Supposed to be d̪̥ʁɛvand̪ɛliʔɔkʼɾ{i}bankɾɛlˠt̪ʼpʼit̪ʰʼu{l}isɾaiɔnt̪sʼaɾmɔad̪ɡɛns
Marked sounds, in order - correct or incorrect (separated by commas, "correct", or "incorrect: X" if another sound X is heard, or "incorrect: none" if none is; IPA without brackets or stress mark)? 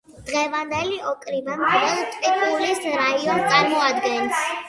correct, correct